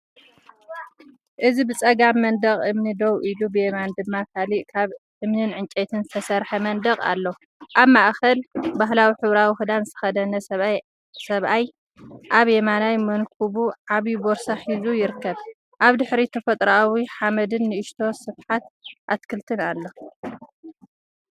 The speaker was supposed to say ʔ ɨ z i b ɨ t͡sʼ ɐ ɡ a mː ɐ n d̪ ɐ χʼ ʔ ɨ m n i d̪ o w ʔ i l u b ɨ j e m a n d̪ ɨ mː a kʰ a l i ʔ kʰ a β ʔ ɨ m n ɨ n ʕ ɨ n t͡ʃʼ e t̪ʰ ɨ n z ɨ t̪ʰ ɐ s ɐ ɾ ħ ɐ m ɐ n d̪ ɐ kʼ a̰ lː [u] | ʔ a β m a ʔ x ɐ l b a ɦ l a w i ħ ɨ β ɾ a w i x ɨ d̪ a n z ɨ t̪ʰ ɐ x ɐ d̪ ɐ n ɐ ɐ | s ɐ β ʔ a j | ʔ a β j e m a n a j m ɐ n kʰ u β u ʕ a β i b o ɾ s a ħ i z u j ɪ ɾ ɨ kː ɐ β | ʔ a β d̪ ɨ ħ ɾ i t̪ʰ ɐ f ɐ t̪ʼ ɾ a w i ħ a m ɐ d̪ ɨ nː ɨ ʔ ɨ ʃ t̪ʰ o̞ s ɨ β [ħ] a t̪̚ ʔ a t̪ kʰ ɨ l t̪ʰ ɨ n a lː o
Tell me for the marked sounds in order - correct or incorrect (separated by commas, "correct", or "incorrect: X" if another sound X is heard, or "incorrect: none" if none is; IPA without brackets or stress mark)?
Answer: incorrect: o, correct